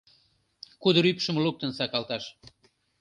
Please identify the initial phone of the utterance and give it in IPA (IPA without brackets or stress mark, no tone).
k